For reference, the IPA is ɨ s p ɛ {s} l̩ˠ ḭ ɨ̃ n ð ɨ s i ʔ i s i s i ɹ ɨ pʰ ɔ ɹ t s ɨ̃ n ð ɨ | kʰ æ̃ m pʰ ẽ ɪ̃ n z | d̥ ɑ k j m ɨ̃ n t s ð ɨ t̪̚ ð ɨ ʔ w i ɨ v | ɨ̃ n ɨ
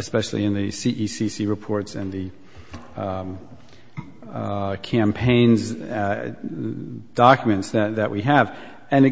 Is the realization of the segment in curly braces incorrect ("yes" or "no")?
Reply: yes